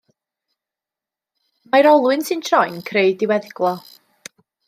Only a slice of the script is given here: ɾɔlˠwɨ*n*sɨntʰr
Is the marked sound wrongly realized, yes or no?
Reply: no